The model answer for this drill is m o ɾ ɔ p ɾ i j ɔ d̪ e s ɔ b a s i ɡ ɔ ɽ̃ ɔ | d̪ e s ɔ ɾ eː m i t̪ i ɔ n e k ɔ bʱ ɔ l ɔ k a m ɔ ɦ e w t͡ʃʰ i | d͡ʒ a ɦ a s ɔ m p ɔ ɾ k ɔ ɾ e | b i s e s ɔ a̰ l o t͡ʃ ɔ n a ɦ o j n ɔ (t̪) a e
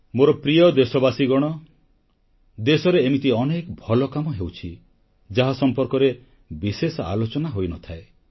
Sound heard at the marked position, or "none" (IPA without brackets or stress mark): t̪ʰ